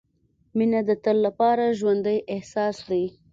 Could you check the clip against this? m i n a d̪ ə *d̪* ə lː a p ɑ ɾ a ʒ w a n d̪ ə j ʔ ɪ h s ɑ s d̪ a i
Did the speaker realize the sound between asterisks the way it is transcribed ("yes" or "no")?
no